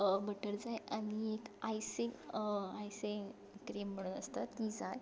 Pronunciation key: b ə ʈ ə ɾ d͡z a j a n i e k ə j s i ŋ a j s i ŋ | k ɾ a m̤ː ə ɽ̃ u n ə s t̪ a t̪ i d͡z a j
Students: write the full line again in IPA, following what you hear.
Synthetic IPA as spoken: b ə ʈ ə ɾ d͡z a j a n i e k a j s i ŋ a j s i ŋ | k ɾ e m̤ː ə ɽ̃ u n ə s t̪ a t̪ i d͡z a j